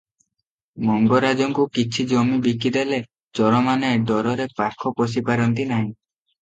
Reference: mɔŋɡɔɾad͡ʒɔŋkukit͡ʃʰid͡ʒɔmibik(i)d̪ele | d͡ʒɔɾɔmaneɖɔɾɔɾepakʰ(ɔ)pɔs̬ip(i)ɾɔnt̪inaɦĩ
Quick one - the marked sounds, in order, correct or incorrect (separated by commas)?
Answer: correct, correct, incorrect